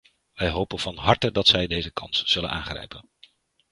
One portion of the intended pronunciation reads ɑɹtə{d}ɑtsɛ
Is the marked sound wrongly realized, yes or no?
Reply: no